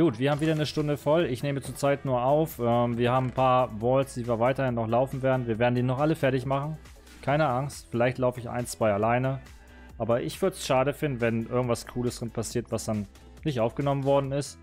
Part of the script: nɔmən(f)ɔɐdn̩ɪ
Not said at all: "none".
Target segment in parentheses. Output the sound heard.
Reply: v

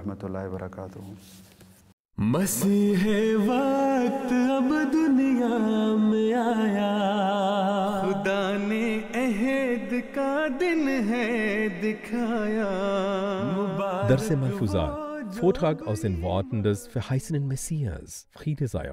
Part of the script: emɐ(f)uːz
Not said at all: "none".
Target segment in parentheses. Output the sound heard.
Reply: f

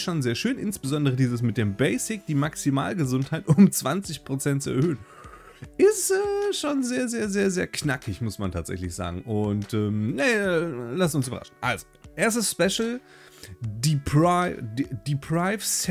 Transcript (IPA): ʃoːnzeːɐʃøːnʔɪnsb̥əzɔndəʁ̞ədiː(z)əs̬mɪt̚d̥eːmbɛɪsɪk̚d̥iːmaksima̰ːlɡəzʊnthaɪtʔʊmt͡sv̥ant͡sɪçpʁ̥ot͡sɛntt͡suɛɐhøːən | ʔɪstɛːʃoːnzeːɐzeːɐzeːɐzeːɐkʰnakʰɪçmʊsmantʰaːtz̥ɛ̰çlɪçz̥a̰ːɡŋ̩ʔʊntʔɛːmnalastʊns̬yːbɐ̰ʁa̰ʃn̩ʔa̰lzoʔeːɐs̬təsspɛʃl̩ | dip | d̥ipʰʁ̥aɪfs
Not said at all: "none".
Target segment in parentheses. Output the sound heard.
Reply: z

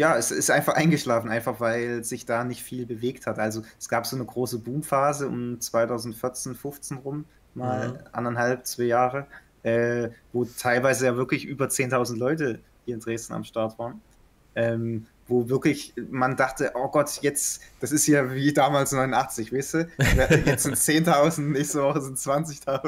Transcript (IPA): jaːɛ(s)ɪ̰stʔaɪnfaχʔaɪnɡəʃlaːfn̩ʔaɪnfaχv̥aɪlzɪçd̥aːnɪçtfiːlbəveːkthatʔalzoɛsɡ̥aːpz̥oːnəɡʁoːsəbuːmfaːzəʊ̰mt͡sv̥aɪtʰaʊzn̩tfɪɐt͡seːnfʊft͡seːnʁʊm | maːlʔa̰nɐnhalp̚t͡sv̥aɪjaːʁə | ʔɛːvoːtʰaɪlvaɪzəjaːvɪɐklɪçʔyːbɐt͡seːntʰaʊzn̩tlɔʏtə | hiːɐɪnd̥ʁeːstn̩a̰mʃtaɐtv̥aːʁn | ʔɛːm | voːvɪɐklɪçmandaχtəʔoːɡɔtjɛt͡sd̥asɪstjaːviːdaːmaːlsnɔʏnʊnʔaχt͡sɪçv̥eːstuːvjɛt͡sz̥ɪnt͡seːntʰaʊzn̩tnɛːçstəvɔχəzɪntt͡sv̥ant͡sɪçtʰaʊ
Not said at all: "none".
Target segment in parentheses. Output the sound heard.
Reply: s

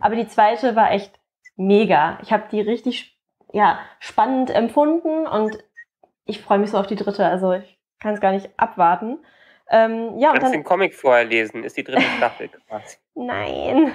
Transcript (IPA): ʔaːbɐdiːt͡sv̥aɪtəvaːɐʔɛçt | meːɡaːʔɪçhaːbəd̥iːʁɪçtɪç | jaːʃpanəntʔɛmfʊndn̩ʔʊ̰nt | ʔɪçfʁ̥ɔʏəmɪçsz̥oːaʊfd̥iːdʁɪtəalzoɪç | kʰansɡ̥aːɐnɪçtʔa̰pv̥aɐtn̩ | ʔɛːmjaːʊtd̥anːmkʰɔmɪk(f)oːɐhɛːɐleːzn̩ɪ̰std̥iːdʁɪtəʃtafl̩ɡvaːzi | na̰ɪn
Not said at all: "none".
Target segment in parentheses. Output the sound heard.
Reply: f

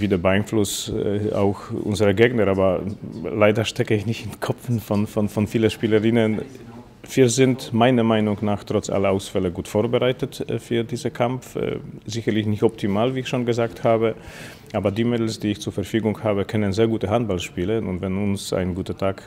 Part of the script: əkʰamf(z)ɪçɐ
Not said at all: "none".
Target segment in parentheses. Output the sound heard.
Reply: z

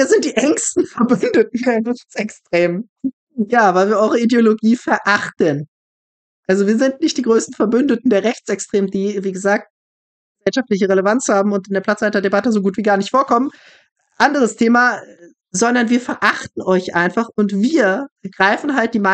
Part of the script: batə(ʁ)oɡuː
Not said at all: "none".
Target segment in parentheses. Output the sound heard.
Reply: z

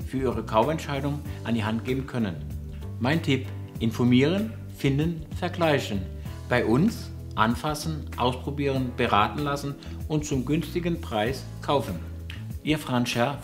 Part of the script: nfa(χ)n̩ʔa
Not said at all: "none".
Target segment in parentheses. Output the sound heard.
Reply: s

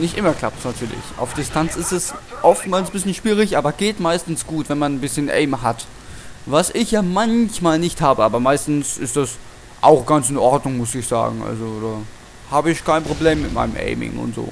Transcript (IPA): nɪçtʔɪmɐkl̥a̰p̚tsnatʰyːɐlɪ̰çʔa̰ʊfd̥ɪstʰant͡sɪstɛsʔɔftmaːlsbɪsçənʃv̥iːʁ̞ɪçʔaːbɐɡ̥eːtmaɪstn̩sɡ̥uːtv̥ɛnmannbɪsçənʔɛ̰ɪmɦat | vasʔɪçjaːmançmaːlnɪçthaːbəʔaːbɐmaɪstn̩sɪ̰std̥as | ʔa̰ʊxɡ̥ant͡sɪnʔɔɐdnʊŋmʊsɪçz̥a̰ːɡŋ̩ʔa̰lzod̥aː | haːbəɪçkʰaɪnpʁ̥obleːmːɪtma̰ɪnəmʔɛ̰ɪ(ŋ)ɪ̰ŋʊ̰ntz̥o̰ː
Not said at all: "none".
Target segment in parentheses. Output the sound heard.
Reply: m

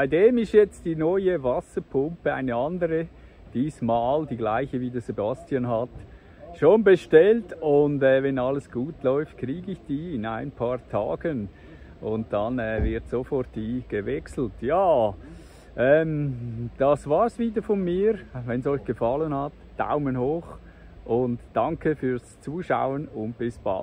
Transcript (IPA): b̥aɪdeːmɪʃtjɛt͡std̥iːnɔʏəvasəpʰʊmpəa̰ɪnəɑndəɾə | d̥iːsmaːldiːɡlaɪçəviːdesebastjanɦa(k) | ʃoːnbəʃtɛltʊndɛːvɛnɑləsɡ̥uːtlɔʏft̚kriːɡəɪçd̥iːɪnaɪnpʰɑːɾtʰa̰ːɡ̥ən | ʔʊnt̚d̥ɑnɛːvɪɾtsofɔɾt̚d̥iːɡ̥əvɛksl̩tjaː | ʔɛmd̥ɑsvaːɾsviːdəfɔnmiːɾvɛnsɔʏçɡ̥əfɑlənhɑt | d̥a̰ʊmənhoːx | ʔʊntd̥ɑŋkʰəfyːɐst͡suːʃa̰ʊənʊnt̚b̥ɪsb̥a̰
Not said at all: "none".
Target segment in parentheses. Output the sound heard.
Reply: t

